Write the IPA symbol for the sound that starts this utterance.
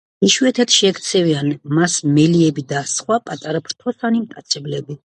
i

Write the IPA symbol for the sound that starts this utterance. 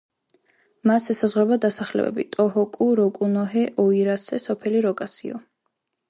m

